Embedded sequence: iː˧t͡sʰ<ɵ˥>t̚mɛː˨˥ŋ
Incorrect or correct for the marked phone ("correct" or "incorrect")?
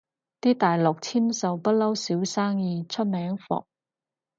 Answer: correct